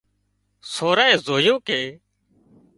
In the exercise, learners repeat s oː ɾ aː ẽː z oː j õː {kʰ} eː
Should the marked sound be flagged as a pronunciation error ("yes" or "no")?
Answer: yes